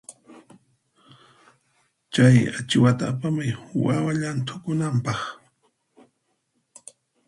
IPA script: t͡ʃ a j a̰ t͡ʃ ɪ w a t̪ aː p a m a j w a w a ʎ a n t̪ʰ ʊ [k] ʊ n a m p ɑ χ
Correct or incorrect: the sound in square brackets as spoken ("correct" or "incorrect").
correct